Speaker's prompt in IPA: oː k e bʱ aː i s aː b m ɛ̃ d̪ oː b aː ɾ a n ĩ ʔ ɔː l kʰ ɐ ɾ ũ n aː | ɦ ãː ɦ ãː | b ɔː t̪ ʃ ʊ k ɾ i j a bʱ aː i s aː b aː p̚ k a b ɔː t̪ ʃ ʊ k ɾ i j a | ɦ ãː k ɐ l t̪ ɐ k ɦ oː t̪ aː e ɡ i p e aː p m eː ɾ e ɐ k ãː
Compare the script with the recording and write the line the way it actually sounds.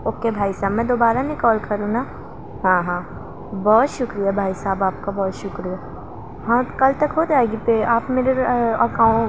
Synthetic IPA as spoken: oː k e bʱ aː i s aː b m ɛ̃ d̪ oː b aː ɾ a n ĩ k ɔː l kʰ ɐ ɾ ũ n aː | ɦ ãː ɦ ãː | b ɔː t̪ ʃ ʊ k ɾ i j a bʱ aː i s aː b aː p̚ k a b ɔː t̪ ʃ ʊ k ɾ i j a | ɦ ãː k ɐ l t̪ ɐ k ɦ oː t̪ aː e ɡ i p e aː p m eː ɾ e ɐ k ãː